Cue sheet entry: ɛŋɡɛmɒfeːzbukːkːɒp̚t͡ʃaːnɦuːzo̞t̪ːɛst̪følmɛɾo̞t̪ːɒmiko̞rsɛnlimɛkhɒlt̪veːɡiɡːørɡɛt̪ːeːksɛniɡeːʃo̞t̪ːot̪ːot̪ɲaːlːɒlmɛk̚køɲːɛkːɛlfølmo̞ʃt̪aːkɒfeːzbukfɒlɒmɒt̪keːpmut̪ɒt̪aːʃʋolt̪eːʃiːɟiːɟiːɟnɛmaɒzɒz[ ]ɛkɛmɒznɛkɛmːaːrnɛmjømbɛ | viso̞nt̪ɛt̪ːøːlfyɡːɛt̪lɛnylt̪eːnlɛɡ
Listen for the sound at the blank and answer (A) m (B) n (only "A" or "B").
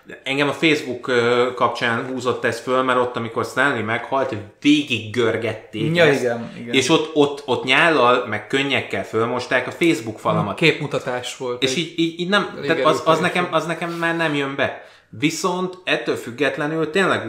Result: B